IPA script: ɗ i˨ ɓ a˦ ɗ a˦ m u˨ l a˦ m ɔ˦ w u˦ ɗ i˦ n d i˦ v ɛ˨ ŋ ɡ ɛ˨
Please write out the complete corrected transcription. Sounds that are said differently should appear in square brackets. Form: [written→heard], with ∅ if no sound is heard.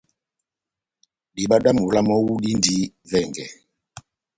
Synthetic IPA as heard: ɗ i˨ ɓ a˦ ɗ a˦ m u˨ l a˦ m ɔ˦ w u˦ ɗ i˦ n d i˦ v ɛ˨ ŋ ɡ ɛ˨